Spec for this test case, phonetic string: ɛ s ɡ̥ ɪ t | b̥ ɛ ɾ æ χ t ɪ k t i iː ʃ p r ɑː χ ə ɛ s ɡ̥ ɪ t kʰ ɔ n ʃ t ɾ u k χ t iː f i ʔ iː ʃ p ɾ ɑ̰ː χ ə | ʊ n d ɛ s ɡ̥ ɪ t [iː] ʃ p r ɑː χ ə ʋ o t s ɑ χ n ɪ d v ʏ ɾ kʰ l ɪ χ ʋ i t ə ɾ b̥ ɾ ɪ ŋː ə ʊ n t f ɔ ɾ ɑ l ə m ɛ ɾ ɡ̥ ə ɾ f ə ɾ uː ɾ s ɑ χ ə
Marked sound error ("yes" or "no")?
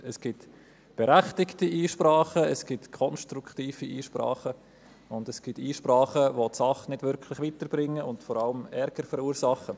no